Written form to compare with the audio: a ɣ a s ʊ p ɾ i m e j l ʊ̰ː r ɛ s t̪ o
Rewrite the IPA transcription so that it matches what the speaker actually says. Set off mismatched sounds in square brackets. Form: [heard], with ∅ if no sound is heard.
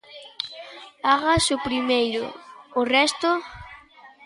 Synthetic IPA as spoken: a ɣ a s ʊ p ɾ i m e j [ɾ] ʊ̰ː r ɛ s t̪ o